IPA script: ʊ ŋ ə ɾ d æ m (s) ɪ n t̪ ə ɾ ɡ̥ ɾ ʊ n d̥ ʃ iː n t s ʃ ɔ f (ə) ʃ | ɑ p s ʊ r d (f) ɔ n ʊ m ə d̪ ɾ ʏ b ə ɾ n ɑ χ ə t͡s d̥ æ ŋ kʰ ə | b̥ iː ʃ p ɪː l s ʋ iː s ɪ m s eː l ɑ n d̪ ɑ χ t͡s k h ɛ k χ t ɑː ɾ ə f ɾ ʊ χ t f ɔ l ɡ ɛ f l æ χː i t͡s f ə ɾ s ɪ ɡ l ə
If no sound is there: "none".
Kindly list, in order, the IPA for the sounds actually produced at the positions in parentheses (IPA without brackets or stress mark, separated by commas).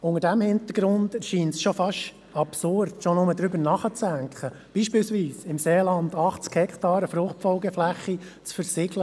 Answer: h, ɑ, ʃ